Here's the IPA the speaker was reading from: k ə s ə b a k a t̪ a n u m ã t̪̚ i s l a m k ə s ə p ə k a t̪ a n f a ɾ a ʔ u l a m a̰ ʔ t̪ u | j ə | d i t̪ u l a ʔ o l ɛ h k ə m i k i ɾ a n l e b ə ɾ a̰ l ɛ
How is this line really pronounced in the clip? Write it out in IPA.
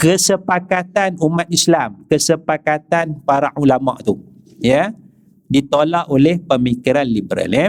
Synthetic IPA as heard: k ə s ə p a k a t̪ a n u m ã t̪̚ i s l a m k ə s ə p a k a t̪ a n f a ɾ a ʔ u l a m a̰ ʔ t̪ u | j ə | d i t̪ o l a ʔ o l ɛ h p ə m i k i ɾ a n l i b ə ɾ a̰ l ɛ